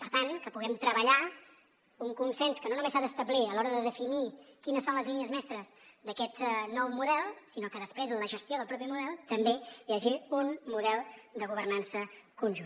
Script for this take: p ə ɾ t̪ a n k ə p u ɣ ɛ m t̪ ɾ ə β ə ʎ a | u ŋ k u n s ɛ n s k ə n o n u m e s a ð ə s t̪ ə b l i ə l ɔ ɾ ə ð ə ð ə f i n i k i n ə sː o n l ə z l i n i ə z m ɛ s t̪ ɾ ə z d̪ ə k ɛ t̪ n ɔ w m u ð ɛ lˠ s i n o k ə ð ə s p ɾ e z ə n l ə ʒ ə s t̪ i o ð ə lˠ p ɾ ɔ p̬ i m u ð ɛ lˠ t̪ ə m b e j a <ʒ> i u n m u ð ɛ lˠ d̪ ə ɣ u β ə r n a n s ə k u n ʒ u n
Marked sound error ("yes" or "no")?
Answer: no